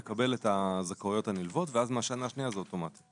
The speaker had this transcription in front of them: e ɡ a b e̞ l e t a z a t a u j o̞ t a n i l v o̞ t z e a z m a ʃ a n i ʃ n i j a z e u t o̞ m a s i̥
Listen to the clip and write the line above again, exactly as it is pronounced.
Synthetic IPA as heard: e k a b e̞ l e t a z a k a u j o̞ t a n i l v o̞ t v e a z m a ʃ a n a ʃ n i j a z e o t o̞ m a t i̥